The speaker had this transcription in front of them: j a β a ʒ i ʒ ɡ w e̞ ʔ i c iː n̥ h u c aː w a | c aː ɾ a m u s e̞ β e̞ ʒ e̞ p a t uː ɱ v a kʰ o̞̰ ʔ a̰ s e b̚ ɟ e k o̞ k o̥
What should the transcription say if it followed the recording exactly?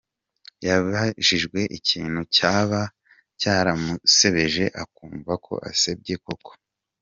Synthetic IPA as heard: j a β a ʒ i ʒ ɡ w e̞ ʔ i c iː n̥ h u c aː β a | c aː ɾ a m u s e̞ β e̞ ʒ e̞ ʔ a k uː ɱ v a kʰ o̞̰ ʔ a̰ s e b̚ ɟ e k o̞ k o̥

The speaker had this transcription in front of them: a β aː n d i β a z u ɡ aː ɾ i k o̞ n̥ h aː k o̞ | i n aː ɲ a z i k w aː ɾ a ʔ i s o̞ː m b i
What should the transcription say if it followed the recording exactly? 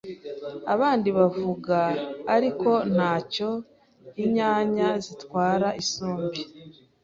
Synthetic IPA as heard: a β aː n d i β a v u ɡ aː ɾ i k o̞ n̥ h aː c o̞ | i ɲ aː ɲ a z i t w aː ɾ a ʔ i s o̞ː m b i

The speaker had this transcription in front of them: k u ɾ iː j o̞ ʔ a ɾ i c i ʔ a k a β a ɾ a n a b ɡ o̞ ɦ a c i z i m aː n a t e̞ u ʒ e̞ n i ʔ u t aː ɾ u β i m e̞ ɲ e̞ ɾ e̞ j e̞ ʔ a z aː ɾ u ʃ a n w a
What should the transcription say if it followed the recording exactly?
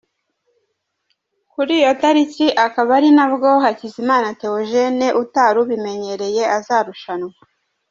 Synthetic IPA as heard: k u ɾ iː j o̞ t a ɾ i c i ʔ a k a β a ɾ i n a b ɡ o̞ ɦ a c i z i m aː n a t e̞ o ʒ e̞ n e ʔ u t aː ɾ u β i m e̞ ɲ e̞ ɾ e̞ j e̞ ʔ a z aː ɾ u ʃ a n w a

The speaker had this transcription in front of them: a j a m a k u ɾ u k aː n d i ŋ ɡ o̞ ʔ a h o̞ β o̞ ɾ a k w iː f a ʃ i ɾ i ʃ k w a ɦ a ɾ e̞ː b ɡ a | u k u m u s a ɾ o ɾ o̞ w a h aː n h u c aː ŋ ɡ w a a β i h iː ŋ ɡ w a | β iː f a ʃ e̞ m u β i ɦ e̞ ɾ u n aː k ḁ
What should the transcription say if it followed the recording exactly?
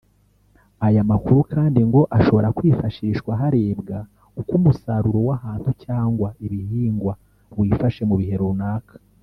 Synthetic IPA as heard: a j a m a k u ɾ u k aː n d i ŋ ɡ o̞ ʔ a ʃ o̞ β o̞ ɾ a k w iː f a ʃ i ɾ i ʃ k w a ɦ a ɾ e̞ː b ɡ a | u k u m u s a ɾ u ɾ o̞ w a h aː n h u c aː ŋ ɡ w a i β i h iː ŋ ɡ w a | w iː f a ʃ e̞ m u β i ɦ e̞ ɾ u n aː k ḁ

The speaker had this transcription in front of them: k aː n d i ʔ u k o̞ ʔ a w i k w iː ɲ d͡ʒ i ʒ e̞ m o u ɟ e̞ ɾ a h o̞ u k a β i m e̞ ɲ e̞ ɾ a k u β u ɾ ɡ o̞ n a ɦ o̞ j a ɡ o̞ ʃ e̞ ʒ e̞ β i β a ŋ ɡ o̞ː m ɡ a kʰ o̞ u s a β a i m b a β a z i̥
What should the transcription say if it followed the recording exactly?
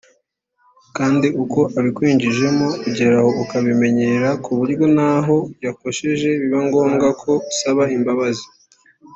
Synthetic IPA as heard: k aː n d i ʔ u k o̞ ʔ a β i k w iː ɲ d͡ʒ i ʒ e̞ m o u ɟ e̞ ɾ a h o̞ u k a β i m e̞ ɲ e̞ ɾ a k u β u ɾ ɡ o̞ n a ɦ o̞ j a k o̞ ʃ e̞ ʒ e̞ β i β a ŋ ɡ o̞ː m ɡ a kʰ o̞ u s a β a i m b a β a z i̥

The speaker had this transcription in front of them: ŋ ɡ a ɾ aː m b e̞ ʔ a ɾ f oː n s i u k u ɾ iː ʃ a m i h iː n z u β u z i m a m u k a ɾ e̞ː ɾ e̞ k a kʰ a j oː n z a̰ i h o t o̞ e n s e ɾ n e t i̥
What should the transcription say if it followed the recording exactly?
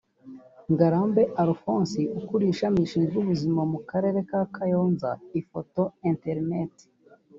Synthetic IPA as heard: ŋ ɡ a ɾ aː m b e̞ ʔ a ɾ f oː n s i u k u ɾ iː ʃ a m i ʃ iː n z u β u z i m a m u k a ɾ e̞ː ɾ e̞ k a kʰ a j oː n z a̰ i f o t o̞ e n t e ɾ n e t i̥

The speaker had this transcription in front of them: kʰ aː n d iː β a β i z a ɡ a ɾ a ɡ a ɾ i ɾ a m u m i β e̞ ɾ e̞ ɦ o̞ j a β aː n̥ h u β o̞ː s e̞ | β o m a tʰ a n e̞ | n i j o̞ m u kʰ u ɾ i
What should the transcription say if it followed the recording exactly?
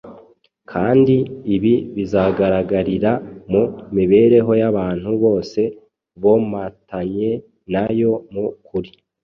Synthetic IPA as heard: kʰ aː n d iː β i β i z a ɡ a ɾ a ɡ a ɾ i ɾ a m u m i β e̞ ɾ e̞ ɦ o̞ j a β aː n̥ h u β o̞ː s e̞ | β o m a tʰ a ɲ e̞ | n a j o̞ m u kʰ u ɾ i

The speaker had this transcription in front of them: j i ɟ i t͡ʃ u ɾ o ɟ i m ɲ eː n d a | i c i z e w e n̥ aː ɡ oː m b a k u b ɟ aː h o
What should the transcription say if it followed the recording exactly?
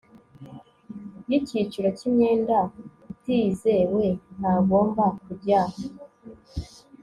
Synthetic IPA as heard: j i c i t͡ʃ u ɾ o c i m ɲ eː n d a | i t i z e w e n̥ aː ɡ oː m b a k u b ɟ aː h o

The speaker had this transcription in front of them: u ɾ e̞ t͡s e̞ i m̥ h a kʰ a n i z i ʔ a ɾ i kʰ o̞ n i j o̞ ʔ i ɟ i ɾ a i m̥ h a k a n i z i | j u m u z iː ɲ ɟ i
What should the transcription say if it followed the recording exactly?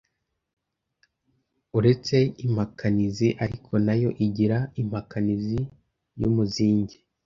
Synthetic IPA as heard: u ɾ e̞ t͡s e̞ i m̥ h a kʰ a n i z i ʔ a ɾ i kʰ o̞ n a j o̞ ʔ i ɟ i ɾ a i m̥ h a k a n i z i | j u m u z iː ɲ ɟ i

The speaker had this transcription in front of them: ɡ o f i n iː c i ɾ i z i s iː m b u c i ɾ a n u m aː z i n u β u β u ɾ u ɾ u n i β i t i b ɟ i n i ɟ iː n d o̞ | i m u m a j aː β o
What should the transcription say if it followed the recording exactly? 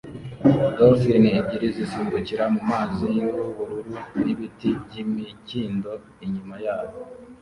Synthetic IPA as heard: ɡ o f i n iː ɟ i ɾ i z i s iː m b u c i ɾ a m u m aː z i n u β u β u ɾ u ɾ u n i β i t i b ɟ i m i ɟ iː n d o̞ | i ɲ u m a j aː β o

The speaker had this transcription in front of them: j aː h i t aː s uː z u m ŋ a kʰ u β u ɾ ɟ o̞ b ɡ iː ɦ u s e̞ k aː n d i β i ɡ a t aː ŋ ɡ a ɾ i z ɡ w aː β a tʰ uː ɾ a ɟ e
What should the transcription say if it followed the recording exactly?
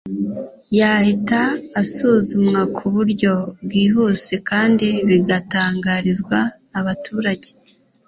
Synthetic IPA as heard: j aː h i t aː s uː z u m ŋ a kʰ u β u ɾ ɟ o̞ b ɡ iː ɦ u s e̞ k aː n d i β i ɡ a t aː ŋ ɡ a ɾ i z ɡ w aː β a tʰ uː ɾ a ɟ e

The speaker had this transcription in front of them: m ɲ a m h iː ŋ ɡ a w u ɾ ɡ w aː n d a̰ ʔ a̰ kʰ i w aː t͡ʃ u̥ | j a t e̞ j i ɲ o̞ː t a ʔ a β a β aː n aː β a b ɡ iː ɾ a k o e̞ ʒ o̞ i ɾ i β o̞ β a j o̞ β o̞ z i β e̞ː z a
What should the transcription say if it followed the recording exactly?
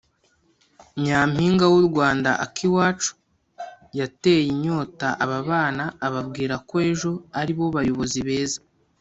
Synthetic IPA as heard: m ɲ a m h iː ŋ ɡ a w u ɾ ɡ w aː n d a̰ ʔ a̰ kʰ i w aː t͡ʃ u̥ | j a t e̞ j i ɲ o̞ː t a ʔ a β a β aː n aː β a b ɡ iː ɾ a k o e̞ ʒ o̞ a ɾ i β o̞ β a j o̞ β o̞ z i β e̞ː z a

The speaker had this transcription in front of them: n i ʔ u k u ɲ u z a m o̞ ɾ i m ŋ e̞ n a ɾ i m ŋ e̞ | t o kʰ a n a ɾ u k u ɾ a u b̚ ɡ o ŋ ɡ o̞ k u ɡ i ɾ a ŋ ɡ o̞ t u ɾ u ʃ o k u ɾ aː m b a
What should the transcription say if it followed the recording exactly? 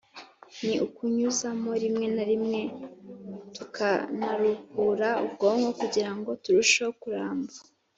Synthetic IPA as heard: n i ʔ u k u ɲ u z a m o̞ ɾ i m ŋ e̞ n a ɾ i m ŋ e̞ | t u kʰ a n a ɾ u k u ɾ a u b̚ ɡ o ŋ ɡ o̞ k u ɟ i ɾ a ŋ ɡ o̞ t u ɾ u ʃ o k u ɾ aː m b a

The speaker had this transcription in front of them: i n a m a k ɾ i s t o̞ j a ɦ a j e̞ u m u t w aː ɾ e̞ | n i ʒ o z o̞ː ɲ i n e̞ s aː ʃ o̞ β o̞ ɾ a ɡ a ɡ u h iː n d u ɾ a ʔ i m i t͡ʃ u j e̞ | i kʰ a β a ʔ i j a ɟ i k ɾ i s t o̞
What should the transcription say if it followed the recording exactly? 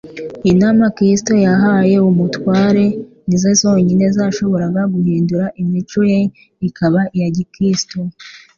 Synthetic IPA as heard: i n a m a k ɾ i s t o̞ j a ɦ a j e̞ u m u t w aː ɾ e̞ | n i z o z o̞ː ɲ i n e̞ z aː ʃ o̞ β o̞ ɾ a ɡ a ɡ u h iː n d u ɾ a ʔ i m i t͡ʃ u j e̞ | i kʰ a β a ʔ i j a ɟ i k ɾ i s t o̞

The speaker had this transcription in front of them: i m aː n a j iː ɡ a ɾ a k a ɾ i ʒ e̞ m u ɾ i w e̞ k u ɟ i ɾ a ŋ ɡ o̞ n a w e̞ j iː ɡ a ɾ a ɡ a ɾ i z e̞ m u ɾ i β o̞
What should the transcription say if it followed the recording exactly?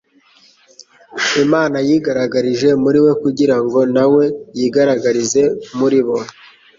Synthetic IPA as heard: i m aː n a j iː ɡ a ɾ a ɡ a ɾ i ʒ e̞ m u ɾ i w e̞ k u ɟ i ɾ a ŋ ɡ o̞ n a w e̞ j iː ɡ a ɾ a ɡ a ɾ i z e̞ m u ɾ i β o̞

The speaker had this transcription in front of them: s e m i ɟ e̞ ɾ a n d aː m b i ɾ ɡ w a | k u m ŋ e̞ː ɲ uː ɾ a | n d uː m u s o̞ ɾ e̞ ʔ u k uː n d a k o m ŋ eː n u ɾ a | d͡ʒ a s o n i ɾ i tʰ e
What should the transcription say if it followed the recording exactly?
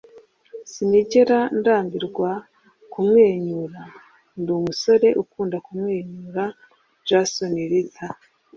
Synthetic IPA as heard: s i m i ɟ e̞ ɾ a n d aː m b i ɾ ɡ w a | k u m ŋ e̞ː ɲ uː ɾ a | n d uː m u s o̞ ɾ e̞ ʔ u k uː n d a k u m ŋ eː ɲ u ɾ a | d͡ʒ a s o n i ɾ i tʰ a

